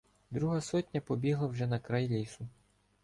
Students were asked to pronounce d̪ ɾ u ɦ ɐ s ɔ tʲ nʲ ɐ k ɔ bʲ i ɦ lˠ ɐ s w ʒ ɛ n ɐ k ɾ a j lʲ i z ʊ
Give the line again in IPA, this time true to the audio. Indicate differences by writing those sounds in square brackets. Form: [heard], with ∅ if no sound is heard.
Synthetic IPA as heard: d̪ ɾ u ɦ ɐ s ɔ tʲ nʲ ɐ [p] ɔ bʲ i ɦ lˠ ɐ [∅] w ʒ ɛ n ɐ k ɾ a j lʲ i [s] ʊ

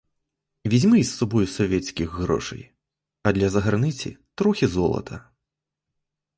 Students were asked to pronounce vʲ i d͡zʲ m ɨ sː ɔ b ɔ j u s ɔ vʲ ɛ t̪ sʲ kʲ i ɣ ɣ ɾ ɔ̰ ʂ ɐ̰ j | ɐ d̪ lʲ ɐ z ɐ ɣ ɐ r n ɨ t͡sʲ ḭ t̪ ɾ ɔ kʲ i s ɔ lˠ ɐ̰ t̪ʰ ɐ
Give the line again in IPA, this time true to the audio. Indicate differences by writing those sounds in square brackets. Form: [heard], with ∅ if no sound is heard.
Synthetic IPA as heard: vʲ i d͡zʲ m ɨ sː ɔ b ɔ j u s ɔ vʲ ɛ t̪ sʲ kʲ i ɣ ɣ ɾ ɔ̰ ʂ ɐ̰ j | ɐ d̪ lʲ ɐ z ɐ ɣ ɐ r n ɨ t͡sʲ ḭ t̪ ɾ ɔ [xʲ] i [z] ɔ lˠ ɐ̰ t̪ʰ ɐ

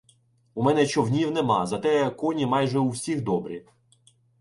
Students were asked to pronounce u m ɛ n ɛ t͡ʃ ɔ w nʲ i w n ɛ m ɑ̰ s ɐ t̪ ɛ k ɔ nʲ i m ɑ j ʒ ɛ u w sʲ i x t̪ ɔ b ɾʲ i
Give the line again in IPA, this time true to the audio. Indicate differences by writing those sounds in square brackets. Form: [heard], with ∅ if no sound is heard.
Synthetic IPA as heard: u m ɛ n ɛ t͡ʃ ɔ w nʲ i w n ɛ m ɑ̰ [z] ɐ t̪ ɛ k ɔ nʲ i m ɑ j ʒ ɛ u w sʲ i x [d̪] ɔ b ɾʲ i

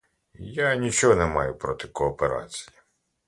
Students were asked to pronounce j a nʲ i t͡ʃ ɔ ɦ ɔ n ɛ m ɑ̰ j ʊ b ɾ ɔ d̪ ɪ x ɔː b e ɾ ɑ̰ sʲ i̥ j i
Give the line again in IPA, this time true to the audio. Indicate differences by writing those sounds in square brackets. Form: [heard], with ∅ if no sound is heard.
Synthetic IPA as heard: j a nʲ i t͡ʃ ɔ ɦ ɔ n ɛ m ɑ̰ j ʊ [p] ɾ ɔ [t̪] ɪ [k] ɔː [p] e ɾ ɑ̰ [t͡sʲ] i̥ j i

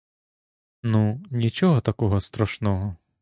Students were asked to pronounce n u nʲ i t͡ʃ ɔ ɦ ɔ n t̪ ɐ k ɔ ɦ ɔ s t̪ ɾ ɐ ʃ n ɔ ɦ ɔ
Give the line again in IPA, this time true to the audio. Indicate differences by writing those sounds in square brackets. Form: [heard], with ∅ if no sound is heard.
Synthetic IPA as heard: n u nʲ i t͡ʃ ɔ ɦ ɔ [∅] t̪ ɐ k ɔ ɦ ɔ s t̪ ɾ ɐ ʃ n ɔ ɦ ɔ

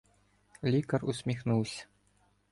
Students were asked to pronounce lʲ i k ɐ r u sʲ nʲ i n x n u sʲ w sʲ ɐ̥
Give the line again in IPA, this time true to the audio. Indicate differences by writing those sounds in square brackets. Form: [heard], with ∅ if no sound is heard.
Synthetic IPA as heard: lʲ i k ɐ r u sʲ [mʲ] i [∅] x n u [∅] w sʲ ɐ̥

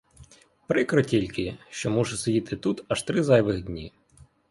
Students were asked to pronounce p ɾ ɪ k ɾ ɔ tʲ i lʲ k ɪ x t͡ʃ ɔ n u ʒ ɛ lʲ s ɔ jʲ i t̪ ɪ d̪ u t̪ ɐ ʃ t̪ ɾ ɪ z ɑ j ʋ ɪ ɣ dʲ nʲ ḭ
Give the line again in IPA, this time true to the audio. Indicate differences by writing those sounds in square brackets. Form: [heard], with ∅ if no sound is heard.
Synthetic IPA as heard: p ɾ ɪ k ɾ ɔ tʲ i lʲ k ɪ [ʃ] t͡ʃ ɔ [m] u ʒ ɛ [∅] s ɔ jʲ i t̪ ɪ [t̪] u t̪ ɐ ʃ t̪ ɾ ɪ z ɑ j ʋ ɪ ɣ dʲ nʲ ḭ

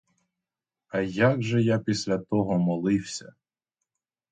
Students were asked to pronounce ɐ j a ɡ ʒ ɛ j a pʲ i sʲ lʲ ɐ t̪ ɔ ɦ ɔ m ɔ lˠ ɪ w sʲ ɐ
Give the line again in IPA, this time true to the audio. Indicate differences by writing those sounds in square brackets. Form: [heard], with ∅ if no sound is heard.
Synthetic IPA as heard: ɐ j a ɡ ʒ ɛ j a pʲ i sʲ lʲ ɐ t̪ ɔ ɦ ɔ m ɔ lˠ ɪ w sʲ ɐ

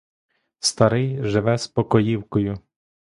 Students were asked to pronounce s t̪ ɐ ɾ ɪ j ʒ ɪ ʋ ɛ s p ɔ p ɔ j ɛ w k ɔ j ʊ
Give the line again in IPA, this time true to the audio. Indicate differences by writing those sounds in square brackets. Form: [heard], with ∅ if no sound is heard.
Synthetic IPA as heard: s t̪ ɐ ɾ ɪ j ʒ ɪ ʋ ɛ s p ɔ [k] ɔ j [i] w k ɔ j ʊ

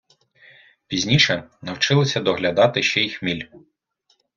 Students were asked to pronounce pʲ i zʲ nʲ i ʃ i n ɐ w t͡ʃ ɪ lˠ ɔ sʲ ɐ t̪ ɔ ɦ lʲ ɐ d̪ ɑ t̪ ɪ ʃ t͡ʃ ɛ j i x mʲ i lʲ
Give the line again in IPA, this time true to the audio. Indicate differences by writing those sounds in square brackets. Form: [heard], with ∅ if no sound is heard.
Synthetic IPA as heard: pʲ i zʲ nʲ i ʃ [ɛ] n ɐ w t͡ʃ ɪ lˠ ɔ sʲ ɐ [d̪] ɔ ɦ lʲ ɐ d̪ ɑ t̪ ɪ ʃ t͡ʃ ɛ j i x mʲ i lʲ

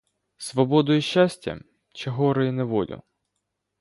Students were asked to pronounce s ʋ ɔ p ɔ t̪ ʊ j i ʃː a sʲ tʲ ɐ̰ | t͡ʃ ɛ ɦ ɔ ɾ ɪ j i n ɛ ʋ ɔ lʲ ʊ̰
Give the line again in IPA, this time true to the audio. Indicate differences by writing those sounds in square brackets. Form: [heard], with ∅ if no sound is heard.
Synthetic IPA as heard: s ʋ ɔ [b] ɔ [d̪] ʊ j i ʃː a sʲ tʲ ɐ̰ | t͡ʃ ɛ ɦ ɔ ɾ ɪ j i n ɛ ʋ ɔ lʲ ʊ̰

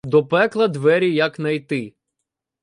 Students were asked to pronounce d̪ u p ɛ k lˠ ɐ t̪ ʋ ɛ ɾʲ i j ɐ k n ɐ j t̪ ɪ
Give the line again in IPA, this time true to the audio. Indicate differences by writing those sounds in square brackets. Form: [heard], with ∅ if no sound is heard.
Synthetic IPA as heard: d̪ [ɔ] p ɛ k lˠ ɐ [d̪] ʋ ɛ ɾʲ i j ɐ k n ɐ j t̪ ɪ

